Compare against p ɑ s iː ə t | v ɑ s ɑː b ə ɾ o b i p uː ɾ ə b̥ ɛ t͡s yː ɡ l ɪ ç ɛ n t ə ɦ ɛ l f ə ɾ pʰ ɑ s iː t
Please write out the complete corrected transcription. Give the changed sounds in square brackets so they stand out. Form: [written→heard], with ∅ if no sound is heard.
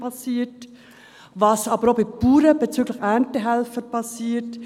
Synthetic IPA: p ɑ s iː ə t | v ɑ s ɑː b ə ɾ o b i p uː ɾ ə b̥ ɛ t͡s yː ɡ l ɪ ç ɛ n t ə ɦ ɛ l f ə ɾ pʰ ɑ s iː t